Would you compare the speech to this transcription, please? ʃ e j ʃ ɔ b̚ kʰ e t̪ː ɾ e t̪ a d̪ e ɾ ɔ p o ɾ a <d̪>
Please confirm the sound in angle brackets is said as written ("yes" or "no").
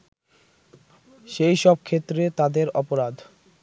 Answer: yes